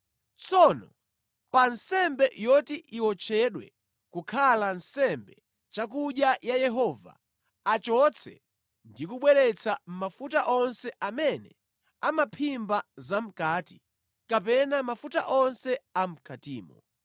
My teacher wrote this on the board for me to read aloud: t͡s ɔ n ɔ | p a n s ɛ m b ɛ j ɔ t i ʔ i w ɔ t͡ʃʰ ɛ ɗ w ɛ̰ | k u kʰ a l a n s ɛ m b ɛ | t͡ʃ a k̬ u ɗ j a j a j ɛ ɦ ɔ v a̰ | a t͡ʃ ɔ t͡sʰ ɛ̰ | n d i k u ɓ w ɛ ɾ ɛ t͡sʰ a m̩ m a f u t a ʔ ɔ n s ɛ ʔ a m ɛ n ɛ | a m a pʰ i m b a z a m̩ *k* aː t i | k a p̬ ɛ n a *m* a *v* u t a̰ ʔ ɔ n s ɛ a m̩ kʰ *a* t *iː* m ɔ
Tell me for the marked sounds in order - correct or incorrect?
correct, correct, incorrect: f, correct, correct

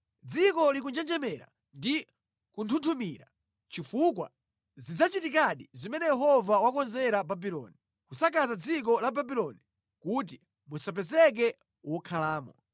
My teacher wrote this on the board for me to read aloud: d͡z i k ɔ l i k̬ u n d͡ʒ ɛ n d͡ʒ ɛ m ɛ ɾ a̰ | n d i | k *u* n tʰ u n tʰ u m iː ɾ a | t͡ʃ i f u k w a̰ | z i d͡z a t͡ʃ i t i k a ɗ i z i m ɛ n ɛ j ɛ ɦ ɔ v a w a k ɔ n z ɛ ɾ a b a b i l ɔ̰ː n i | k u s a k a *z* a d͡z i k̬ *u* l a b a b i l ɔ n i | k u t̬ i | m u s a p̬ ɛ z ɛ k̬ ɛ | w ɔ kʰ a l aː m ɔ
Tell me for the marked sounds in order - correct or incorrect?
correct, correct, incorrect: ɔ

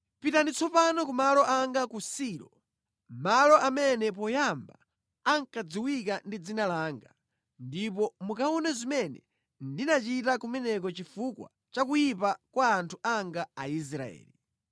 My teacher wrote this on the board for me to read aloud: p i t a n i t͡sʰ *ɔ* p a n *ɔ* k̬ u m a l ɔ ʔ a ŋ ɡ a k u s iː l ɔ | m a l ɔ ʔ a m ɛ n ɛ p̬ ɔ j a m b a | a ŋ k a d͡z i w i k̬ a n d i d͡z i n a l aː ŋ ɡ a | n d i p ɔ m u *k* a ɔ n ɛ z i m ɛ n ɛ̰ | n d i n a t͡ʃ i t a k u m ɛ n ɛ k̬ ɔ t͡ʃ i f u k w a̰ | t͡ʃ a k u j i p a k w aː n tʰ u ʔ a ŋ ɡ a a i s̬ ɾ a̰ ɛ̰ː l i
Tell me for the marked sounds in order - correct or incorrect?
correct, correct, correct

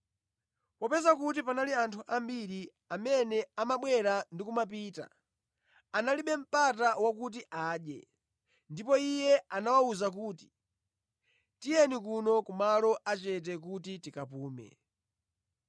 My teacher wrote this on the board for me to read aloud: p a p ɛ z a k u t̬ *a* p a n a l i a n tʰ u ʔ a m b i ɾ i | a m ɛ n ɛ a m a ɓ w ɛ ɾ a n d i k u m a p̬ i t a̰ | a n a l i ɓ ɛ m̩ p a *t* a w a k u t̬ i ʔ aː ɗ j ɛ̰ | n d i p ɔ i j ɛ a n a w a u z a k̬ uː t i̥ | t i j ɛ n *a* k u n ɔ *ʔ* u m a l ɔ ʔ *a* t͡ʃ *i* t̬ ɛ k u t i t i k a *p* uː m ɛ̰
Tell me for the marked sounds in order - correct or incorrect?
incorrect: i, correct, incorrect: i, incorrect: k, correct, incorrect: ɛ, correct

